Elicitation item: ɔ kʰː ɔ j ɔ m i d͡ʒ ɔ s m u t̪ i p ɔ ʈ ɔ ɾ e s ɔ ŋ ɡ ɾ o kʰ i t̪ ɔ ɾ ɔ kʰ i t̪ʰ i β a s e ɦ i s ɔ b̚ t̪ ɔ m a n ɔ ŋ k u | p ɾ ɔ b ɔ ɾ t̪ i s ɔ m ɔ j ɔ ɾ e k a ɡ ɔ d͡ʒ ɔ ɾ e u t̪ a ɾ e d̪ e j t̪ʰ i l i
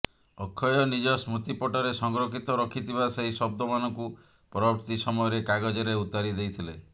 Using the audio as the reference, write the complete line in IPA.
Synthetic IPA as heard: ɔ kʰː ɔ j ɔ n i d͡ʒ ɔ s m u t̪ i p ɔ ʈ ɔ ɾ e s ɔ ŋ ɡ ɾ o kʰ i t̪ ɔ ɾ ɔ kʰ i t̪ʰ i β a s e ɦ i s ɔ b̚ d̪ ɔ m a n ɔ ŋ k u | p ɾ ɔ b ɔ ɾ t̪ i s ɔ m ɔ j ɔ ɾ e k a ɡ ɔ d͡ʒ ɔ ɾ e u t̪ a ɾ i d̪ e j t̪ʰ i l e